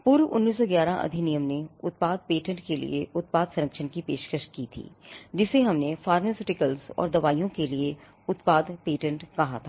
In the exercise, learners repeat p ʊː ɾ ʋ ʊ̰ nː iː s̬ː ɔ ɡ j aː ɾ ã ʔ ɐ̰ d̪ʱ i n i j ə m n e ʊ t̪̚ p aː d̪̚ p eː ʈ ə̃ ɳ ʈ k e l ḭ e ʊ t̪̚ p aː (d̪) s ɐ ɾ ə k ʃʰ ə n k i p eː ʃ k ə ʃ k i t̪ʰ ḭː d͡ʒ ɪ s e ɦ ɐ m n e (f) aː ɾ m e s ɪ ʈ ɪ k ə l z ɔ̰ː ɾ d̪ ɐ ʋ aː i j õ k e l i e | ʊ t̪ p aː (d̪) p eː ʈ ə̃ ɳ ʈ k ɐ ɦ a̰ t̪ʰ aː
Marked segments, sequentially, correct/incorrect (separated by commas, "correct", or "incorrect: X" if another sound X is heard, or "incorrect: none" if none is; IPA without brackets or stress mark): correct, correct, correct